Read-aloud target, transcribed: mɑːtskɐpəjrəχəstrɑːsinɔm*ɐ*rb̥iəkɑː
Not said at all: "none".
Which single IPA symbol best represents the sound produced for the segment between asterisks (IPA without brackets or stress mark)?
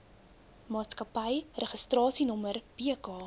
ə